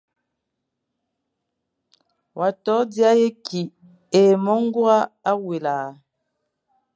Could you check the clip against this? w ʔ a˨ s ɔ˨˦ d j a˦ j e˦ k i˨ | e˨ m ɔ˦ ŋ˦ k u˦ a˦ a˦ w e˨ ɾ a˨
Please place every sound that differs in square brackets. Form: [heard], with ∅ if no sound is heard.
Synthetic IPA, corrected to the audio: w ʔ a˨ [t] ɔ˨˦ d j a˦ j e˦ k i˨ | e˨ m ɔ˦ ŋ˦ [ɡ] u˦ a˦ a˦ w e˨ [l] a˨